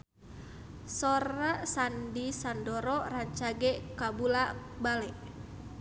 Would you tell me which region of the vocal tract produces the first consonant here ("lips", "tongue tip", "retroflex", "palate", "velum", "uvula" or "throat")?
tongue tip